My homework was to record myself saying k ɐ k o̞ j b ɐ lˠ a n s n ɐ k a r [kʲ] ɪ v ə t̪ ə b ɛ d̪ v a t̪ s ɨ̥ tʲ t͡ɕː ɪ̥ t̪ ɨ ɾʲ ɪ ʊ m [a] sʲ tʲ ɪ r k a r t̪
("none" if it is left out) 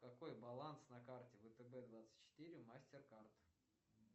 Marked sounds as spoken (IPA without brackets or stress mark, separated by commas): tʲ, a